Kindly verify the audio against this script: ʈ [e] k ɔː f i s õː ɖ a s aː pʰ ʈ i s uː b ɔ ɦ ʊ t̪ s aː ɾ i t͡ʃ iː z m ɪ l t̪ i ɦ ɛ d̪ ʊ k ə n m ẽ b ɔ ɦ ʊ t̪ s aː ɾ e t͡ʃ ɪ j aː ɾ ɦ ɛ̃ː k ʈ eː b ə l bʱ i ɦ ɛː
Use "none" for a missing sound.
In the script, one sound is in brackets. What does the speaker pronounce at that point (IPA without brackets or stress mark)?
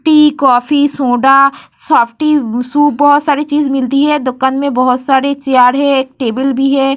i